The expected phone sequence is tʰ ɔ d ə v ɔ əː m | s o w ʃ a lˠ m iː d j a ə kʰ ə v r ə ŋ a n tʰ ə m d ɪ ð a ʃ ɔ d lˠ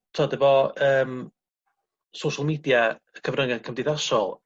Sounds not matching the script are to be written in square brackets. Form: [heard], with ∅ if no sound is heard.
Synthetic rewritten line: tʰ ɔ d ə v ɔ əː m | s o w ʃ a lˠ m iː d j a ə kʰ ə v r ə ŋ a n [kʰ] ə m d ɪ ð a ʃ ɔ [∅] lˠ